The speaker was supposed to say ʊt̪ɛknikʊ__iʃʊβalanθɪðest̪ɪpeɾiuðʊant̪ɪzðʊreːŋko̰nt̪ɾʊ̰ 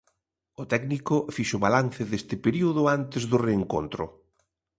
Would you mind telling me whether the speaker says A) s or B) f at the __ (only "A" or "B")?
B